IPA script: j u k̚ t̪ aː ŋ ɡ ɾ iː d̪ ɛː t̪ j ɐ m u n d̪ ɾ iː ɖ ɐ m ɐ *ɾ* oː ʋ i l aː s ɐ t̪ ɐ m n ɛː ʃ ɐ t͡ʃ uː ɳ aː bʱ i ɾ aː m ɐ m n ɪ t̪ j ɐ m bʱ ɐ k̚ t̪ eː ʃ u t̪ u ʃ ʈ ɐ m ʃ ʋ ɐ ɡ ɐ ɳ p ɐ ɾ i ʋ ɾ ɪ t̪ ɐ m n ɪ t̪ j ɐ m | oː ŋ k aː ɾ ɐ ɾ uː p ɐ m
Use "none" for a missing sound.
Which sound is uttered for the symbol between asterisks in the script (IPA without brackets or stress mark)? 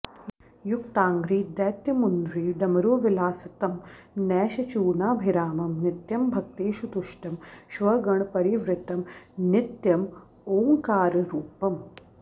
ɾ